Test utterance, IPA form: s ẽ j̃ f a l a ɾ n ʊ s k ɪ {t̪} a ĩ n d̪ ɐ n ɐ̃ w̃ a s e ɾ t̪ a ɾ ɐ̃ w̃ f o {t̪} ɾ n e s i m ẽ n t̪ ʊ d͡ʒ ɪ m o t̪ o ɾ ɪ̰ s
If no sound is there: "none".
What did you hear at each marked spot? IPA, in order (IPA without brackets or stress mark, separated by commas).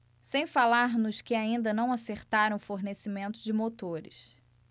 none, none